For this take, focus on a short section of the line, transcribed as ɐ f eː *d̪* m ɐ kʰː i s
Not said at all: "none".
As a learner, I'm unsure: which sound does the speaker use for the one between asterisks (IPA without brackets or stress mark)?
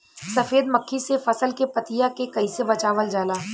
d̪